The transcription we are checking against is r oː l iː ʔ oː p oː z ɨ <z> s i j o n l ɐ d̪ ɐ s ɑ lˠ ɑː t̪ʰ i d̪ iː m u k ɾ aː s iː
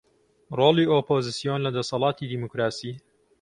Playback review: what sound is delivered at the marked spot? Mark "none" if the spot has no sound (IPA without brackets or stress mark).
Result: none